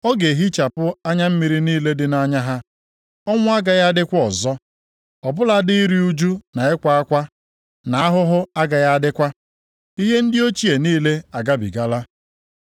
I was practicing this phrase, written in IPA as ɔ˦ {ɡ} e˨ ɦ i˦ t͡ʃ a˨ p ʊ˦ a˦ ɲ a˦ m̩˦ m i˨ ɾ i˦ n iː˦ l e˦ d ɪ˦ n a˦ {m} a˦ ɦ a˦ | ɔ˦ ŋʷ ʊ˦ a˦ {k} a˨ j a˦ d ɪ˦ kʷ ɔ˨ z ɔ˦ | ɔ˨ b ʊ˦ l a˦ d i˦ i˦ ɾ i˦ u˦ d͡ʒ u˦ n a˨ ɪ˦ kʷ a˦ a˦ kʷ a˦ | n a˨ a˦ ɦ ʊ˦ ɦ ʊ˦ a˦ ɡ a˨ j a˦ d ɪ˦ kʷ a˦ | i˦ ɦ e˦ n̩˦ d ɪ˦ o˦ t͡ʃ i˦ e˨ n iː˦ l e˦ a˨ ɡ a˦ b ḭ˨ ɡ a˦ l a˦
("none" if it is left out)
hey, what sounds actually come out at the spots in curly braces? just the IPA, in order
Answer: ɡ, ɲ, ɡ

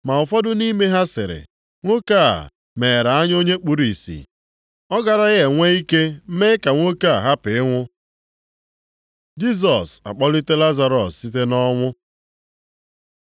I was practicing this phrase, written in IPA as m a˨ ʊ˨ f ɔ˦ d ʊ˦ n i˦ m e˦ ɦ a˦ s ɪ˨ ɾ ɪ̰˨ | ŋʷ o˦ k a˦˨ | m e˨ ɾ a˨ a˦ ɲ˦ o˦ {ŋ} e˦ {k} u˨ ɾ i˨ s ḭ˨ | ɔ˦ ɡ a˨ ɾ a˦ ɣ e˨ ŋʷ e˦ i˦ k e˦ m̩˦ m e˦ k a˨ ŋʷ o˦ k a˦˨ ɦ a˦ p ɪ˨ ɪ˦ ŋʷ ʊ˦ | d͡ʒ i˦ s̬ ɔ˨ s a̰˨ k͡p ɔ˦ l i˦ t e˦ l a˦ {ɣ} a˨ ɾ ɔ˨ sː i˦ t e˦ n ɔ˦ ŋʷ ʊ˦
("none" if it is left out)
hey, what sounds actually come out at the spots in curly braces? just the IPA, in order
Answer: ɲ, k͡p, z

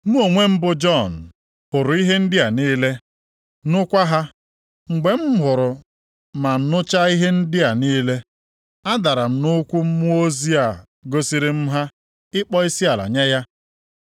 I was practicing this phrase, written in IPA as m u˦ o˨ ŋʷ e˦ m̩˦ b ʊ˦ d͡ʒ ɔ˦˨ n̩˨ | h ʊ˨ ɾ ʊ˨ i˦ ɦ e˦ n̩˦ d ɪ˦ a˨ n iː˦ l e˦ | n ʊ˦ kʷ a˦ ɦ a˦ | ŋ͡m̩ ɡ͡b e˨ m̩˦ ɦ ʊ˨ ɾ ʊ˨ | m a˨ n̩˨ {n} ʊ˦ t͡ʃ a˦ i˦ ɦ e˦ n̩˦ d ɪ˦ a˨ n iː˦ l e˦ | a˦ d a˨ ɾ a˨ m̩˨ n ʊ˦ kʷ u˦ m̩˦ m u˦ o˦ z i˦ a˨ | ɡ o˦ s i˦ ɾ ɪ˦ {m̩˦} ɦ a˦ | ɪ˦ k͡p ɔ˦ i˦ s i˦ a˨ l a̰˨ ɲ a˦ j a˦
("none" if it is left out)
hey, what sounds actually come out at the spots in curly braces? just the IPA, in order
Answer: n, m̩˦

